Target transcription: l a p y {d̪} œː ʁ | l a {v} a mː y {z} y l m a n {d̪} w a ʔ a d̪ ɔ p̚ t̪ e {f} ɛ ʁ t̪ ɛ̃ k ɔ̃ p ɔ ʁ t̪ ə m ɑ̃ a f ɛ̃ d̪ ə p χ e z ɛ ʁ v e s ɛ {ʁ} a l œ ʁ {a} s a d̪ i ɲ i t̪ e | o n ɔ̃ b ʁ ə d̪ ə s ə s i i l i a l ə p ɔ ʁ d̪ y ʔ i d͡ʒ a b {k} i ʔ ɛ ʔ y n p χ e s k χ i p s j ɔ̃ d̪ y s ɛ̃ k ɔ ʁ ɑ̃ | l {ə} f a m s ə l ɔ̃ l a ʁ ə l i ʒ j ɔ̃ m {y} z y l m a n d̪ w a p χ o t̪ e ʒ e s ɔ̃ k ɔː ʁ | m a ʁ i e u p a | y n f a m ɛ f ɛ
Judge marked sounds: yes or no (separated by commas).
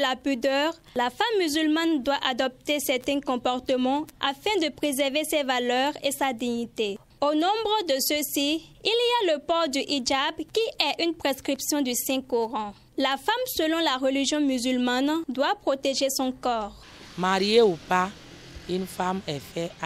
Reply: yes, no, yes, yes, no, no, no, yes, no, yes